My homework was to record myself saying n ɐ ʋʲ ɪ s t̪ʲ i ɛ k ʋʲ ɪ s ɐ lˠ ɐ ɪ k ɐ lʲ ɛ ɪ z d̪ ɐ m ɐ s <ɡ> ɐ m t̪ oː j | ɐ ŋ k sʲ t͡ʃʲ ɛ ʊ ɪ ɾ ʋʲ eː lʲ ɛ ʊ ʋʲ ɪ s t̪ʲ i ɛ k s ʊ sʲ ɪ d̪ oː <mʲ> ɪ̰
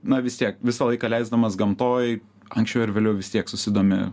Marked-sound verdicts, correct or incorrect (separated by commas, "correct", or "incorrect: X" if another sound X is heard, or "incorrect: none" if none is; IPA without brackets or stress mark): correct, correct